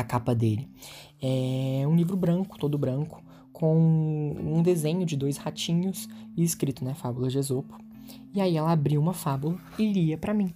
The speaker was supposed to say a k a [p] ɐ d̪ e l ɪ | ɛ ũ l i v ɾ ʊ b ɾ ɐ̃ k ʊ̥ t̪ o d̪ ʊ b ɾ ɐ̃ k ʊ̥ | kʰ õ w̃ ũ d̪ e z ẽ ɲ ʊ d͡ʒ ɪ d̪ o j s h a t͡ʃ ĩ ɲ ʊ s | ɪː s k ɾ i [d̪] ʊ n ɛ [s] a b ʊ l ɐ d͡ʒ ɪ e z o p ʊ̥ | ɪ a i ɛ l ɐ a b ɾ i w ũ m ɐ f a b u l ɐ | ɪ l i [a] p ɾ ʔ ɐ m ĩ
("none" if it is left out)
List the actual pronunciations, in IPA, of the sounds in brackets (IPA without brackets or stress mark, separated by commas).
p, t̪, f, ɐ